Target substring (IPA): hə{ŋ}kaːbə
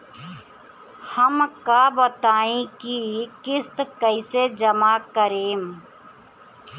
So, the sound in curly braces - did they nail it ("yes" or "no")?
no